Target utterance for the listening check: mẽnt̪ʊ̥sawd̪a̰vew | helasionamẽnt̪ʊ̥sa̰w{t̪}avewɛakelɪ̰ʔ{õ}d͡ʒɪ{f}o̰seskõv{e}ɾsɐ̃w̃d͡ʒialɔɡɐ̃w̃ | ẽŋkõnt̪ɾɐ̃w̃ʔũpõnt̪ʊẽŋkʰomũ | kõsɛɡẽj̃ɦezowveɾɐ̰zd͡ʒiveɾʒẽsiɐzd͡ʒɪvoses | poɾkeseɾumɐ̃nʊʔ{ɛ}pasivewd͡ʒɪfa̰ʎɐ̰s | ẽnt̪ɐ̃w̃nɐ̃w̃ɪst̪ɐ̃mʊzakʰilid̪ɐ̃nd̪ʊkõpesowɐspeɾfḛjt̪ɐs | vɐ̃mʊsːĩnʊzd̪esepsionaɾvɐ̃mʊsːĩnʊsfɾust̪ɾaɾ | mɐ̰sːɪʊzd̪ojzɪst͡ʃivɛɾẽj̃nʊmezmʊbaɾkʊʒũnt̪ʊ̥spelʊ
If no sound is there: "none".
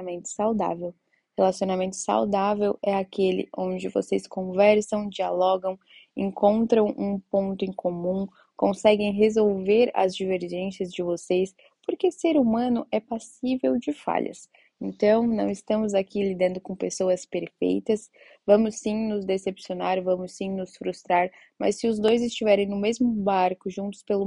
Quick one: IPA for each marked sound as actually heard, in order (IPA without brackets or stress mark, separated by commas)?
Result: d̪, õ, v, ɛ, ɛ